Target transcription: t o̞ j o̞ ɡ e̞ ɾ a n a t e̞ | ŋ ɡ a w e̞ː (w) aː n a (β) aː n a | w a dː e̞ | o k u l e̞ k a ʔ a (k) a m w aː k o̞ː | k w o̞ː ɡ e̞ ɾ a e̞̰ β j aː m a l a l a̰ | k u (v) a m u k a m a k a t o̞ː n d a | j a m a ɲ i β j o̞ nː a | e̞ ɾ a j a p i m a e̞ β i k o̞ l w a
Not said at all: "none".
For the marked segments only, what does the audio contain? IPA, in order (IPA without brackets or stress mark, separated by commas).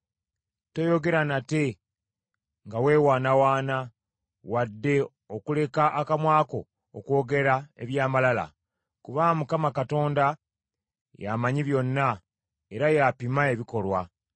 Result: w, w, k, β